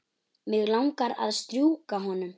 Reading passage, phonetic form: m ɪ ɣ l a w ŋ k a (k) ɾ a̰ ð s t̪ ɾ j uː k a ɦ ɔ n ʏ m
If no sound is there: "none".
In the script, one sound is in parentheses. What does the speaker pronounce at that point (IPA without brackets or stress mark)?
none